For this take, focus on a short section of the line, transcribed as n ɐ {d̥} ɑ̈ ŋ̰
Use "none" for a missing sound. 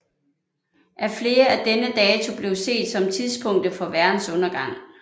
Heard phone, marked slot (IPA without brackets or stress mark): ɡ̥